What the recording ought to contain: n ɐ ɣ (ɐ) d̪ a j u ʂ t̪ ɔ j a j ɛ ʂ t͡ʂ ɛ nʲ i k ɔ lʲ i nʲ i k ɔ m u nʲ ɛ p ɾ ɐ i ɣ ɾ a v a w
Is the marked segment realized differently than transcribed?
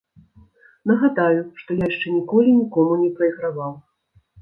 yes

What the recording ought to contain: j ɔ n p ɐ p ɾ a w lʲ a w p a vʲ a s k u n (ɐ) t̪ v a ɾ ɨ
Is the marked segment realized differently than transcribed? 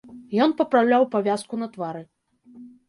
no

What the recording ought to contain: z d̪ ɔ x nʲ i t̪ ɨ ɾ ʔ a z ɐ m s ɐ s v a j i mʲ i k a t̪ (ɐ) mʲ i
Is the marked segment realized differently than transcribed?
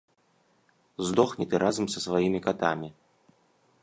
yes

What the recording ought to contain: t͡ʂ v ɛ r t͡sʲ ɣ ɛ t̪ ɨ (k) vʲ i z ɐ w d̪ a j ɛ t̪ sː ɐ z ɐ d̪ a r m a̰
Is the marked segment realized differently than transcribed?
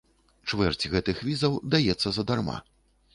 yes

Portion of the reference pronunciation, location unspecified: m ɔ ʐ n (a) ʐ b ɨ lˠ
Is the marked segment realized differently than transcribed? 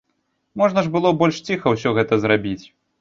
yes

